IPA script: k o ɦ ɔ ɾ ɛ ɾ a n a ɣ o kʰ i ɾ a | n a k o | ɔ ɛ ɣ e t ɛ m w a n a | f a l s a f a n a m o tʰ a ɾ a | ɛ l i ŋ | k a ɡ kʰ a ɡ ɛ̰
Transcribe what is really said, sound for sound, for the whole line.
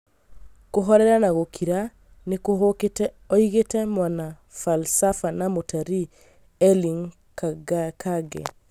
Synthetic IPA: k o ɦ ɔ ɾ ɛ ɾ a n a ɣ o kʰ i ɾ a | n e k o | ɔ i ɣ e t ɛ m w a n a | f a l s a f a n a m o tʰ a ɾ i | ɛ l i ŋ | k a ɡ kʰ a ɡ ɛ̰